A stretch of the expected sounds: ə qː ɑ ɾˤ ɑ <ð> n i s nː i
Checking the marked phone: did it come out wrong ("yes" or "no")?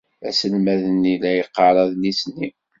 no